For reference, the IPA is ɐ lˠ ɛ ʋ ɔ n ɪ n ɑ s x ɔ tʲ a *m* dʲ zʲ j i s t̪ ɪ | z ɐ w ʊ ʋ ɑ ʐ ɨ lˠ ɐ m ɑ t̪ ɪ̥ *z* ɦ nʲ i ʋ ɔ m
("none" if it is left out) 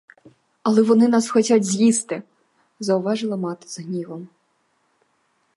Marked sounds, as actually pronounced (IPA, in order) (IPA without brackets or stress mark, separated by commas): none, z